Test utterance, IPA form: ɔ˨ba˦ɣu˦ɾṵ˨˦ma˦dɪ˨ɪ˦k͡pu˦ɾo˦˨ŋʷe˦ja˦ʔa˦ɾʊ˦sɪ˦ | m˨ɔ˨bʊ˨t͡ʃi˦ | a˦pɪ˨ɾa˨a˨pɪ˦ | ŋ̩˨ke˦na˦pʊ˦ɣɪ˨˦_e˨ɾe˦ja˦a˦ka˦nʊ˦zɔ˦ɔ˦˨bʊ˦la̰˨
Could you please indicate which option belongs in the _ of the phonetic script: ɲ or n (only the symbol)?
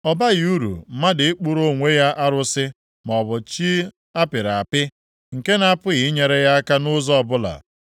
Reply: ɲ